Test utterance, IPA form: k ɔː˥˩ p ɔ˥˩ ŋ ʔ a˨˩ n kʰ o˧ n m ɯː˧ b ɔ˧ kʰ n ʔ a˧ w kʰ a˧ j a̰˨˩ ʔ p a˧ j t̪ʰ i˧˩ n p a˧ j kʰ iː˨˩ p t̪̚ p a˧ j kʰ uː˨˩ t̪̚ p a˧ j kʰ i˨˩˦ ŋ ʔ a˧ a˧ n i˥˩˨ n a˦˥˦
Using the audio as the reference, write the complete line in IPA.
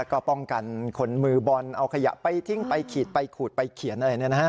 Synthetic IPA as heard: k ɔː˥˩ p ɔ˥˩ ŋ k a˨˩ n kʰ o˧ n m ɯː˧ b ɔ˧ n ʔ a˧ w kʰ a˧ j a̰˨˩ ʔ p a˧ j t̪ʰ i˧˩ ŋ p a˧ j kʰ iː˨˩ t̪̚ p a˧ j kʰ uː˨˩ t̪̚ p a˧ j kʰ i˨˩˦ n ʔ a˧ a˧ n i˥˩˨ n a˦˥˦